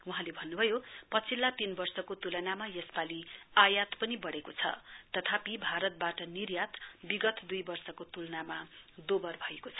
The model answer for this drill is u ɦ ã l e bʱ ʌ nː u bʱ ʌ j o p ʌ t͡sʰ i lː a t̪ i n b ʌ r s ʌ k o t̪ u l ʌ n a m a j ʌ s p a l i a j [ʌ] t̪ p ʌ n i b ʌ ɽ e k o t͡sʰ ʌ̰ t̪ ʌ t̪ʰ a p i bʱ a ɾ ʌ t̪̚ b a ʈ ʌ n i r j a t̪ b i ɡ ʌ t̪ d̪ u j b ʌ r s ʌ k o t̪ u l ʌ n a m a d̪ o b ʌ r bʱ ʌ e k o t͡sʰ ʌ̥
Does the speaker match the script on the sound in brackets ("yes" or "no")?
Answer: no